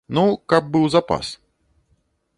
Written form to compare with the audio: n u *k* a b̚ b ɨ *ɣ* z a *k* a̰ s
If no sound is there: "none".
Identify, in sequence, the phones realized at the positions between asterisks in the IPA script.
k, w, p

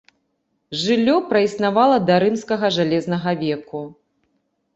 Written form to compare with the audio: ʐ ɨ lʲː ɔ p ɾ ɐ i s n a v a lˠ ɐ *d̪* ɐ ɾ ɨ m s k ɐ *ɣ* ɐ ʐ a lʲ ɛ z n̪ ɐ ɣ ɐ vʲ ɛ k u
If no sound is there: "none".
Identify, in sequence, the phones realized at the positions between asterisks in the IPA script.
d̪, ɣ

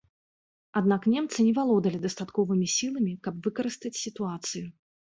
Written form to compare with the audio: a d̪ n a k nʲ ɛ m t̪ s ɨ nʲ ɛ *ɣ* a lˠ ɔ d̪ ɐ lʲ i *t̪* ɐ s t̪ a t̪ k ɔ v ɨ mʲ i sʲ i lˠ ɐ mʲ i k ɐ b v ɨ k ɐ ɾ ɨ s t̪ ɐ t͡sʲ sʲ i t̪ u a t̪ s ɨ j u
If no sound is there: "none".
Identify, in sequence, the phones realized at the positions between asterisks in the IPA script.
v, d̪

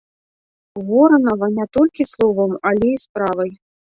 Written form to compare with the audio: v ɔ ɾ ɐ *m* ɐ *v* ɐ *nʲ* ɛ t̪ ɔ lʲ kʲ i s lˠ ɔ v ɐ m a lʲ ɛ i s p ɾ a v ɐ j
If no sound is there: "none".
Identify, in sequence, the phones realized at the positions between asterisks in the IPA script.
n, v, nʲ

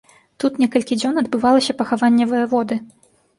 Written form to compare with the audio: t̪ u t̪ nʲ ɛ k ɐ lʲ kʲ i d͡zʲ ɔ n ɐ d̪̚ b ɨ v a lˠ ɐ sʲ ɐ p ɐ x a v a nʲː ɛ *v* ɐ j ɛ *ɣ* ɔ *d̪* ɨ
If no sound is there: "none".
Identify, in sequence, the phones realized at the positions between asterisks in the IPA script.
v, v, d̪

